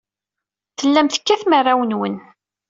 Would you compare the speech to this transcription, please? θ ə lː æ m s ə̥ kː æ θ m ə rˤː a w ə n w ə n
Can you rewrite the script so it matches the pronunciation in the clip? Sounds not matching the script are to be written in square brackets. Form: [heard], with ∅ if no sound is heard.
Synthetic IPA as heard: θ ə lː æ m [θ] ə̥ kː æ θ m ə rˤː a w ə n w ə n